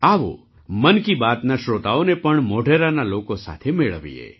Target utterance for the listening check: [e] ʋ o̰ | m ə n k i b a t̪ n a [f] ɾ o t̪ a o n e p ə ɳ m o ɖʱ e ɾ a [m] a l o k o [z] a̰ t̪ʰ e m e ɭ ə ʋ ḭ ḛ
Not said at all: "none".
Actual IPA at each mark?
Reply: a, ʃ, n, s

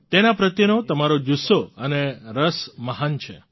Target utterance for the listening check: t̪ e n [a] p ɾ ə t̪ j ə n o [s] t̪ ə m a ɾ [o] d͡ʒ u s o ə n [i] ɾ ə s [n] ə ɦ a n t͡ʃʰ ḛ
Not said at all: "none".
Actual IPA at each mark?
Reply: a, none, o, e, m

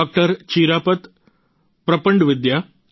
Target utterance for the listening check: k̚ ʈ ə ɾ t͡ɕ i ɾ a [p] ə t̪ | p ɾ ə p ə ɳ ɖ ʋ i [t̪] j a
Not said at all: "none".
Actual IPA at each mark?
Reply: p, d̪

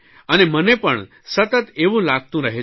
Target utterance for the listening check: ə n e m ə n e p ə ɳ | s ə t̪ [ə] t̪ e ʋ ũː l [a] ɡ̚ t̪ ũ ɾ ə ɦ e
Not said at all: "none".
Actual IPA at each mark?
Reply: ə, a

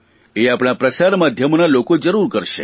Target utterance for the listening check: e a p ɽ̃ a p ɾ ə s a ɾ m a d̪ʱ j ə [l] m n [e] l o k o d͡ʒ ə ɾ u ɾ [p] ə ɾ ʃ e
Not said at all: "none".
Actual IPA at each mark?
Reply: none, a, k

